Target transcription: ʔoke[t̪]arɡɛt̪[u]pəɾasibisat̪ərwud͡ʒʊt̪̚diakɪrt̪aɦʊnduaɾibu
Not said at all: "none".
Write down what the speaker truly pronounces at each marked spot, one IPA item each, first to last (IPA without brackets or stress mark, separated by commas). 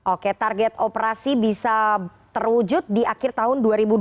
t̪, o